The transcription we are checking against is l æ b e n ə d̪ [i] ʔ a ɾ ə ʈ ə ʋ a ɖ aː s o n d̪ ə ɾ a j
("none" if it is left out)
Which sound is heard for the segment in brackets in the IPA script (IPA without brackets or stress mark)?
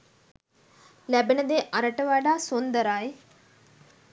e